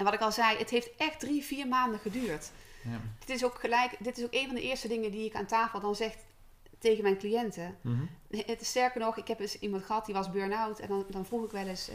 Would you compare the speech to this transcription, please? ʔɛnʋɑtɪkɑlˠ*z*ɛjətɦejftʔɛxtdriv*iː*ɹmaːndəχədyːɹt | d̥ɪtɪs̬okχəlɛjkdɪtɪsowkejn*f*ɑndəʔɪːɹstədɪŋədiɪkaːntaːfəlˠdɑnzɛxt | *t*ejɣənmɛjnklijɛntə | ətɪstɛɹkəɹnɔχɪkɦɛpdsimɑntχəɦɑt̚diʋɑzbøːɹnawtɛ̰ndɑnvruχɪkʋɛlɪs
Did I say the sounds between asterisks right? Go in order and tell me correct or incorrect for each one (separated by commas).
correct, correct, incorrect, correct